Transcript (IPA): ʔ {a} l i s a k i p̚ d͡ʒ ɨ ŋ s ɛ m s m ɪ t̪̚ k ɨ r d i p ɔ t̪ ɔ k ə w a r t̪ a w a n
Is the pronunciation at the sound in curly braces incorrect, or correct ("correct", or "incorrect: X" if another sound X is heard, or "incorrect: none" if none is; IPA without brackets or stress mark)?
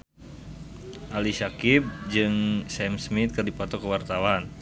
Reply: correct